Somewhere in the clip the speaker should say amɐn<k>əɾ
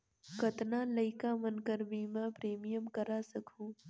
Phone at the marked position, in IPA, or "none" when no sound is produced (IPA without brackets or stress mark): k